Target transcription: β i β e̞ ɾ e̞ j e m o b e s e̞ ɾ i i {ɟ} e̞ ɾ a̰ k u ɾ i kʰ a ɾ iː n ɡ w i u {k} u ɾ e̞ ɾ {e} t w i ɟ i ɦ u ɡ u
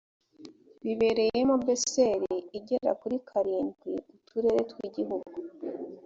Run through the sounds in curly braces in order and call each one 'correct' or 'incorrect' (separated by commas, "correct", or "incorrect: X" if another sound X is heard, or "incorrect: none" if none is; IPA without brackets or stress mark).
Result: correct, incorrect: t, correct